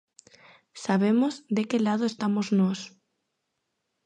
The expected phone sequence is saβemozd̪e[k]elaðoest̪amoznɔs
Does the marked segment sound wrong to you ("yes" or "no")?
no